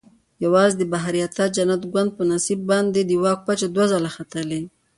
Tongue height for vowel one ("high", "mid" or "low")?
low